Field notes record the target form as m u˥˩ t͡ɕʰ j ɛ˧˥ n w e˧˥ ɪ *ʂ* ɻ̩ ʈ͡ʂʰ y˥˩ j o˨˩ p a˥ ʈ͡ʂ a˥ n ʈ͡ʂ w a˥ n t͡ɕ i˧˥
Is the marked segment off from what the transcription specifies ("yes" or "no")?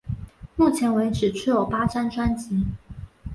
yes